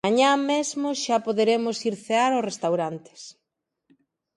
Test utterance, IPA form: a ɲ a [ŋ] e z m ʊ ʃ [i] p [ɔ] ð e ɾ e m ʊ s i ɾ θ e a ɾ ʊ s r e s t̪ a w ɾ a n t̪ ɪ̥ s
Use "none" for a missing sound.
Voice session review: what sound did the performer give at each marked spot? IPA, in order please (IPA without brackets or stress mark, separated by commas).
m, a, o